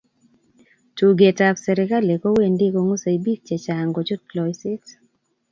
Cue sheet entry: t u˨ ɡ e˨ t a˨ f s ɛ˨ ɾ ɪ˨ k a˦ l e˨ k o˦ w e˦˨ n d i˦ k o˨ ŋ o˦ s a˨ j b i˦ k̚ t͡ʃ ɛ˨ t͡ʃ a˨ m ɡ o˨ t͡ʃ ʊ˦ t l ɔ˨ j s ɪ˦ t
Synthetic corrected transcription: t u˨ ɡ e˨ t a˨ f s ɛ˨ ɾ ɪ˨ k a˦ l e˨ k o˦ w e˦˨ n d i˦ k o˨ ŋ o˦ s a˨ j b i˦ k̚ t͡ʃ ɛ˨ t͡ʃ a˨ ŋ ɡ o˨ t͡ʃ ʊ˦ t l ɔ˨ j s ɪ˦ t

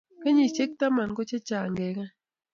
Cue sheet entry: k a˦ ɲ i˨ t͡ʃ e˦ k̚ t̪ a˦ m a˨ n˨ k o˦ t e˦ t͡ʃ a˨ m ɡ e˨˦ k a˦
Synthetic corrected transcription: k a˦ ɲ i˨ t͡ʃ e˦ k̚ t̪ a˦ m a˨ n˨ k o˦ t͡ʃ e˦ t͡ʃ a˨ ŋ ɡ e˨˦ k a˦

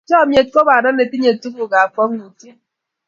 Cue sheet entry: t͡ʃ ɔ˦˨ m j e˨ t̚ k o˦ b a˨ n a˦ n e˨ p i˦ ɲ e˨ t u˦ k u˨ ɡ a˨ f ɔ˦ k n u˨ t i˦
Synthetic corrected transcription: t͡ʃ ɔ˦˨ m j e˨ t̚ k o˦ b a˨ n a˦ n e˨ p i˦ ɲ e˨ t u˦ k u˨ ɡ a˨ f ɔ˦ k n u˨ t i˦

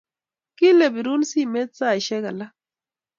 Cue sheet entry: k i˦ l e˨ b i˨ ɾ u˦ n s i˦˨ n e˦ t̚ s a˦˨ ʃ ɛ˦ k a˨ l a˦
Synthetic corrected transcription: k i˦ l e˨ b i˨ ɾ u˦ n s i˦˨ m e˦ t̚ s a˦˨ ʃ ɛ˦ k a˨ l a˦

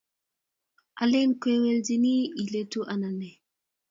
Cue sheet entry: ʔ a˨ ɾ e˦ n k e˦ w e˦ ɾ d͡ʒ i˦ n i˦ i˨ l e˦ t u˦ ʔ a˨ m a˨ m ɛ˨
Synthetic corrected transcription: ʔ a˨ l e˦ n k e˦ w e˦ l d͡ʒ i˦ n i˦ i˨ l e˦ t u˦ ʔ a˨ n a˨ n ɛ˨

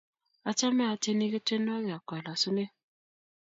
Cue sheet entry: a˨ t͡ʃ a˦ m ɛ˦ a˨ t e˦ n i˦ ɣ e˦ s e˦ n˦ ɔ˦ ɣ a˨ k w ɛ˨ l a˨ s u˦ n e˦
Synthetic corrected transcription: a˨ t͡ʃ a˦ m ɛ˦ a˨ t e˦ n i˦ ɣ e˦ t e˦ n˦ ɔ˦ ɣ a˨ k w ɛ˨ l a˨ s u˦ n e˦

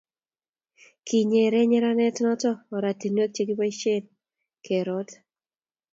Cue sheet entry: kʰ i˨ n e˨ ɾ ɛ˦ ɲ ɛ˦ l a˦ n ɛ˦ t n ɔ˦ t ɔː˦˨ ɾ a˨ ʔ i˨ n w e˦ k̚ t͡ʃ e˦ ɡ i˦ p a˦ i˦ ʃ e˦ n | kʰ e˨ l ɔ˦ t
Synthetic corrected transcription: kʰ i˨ ɲ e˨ ɾ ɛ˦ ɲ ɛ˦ ɾ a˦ n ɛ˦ t n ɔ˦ t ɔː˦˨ ɾ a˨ t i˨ n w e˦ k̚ t͡ʃ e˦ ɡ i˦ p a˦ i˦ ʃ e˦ n | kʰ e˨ ɾ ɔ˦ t

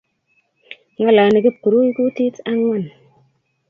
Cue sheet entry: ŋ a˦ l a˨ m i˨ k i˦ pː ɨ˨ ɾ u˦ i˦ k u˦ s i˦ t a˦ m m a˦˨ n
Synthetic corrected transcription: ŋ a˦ l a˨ n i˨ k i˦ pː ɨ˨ ɾ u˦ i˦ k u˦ t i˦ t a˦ ŋ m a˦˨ n

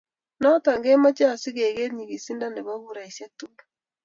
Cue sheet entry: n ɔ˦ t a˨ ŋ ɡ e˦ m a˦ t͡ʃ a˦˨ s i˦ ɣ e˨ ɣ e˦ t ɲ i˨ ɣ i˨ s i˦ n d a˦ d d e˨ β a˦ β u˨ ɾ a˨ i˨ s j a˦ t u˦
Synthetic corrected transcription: n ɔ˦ t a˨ ŋ ɡ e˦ m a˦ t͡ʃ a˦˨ s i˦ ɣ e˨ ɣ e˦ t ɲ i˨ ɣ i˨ s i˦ n d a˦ n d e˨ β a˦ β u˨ ɾ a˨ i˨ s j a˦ t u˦

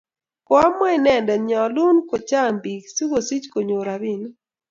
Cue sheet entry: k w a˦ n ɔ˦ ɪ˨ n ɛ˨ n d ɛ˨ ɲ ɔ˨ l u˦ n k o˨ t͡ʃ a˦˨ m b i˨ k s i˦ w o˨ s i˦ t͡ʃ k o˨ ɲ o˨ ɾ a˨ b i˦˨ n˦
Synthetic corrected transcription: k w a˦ m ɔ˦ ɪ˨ n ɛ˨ n d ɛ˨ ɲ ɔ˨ l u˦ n k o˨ t͡ʃ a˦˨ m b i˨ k s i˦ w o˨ s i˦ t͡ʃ k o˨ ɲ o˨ ɾ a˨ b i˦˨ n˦

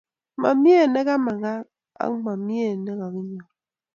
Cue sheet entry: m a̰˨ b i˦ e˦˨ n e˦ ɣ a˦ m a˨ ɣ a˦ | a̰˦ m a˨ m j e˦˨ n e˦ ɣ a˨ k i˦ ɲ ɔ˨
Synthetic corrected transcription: m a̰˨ m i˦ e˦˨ n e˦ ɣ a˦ m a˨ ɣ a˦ | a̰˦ m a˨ m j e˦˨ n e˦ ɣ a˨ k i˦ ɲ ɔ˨

